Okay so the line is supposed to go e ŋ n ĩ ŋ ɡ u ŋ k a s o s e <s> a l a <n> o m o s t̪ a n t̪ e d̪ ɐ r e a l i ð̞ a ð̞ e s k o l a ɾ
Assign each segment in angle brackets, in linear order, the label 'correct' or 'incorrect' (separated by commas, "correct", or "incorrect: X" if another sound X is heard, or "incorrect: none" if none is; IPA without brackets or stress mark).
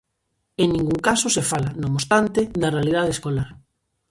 incorrect: f, correct